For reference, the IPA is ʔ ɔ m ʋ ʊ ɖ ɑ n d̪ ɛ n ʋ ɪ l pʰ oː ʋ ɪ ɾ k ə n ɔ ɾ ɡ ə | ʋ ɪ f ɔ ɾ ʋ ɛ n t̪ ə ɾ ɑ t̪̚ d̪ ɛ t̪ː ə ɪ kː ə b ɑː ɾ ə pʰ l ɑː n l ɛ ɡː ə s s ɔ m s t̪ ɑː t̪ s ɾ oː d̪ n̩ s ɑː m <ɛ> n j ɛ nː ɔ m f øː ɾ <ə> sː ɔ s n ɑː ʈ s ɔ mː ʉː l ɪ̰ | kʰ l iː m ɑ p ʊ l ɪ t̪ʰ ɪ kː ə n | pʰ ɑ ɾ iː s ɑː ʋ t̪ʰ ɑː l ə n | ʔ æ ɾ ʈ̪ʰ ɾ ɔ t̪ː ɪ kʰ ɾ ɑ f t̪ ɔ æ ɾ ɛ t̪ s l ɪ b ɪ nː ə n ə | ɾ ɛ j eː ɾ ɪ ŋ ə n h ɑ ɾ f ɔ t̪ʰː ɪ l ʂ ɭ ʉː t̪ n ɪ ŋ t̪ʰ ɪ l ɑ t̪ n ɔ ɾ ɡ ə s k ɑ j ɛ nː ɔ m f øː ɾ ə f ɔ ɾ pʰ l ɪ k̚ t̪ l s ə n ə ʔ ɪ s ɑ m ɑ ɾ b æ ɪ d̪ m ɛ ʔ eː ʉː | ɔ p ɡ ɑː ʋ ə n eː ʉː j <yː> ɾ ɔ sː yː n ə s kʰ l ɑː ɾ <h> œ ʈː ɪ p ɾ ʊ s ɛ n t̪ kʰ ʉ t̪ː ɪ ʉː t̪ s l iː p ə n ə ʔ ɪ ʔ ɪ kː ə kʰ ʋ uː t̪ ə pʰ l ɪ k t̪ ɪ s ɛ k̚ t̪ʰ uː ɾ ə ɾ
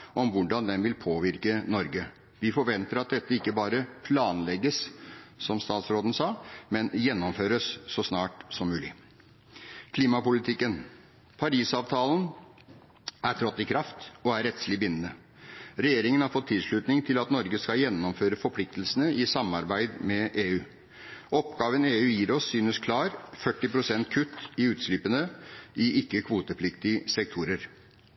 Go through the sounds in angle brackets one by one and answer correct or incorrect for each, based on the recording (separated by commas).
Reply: correct, correct, incorrect, incorrect